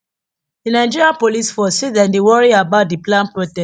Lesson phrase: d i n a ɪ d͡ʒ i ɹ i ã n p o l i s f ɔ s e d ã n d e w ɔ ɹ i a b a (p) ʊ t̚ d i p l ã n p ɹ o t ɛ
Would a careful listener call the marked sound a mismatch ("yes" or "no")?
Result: yes